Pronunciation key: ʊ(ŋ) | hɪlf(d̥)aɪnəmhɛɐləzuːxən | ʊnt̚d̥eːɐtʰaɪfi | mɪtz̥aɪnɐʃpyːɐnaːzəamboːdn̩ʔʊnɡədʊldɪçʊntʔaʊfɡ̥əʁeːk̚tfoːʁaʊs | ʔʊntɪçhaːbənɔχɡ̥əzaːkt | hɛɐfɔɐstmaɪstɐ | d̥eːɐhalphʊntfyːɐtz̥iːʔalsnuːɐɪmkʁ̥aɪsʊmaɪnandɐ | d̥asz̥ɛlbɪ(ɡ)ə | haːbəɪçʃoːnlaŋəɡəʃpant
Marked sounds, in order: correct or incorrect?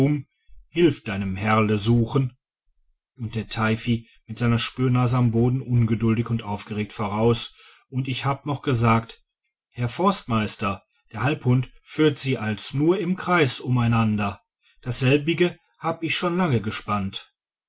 incorrect: m, correct, correct

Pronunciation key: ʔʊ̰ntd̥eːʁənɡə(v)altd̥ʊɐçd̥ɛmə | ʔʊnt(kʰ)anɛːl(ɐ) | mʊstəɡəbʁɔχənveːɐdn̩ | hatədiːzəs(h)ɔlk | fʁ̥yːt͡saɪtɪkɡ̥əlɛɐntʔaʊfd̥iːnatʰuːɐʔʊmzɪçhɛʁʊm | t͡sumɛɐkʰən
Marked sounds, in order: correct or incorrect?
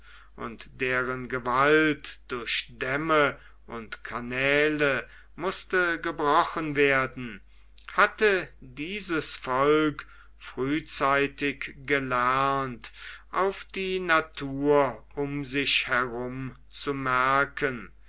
correct, correct, incorrect: ə, incorrect: f

